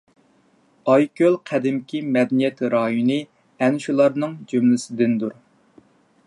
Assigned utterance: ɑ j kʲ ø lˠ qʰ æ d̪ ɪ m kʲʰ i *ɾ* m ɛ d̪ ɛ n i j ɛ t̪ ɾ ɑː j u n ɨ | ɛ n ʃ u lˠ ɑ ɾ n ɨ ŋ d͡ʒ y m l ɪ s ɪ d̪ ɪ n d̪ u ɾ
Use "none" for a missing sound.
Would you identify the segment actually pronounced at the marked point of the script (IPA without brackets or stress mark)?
none